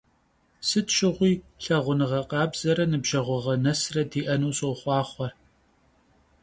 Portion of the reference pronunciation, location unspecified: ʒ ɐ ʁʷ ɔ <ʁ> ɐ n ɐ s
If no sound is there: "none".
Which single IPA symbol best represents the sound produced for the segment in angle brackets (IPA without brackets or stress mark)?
ʁ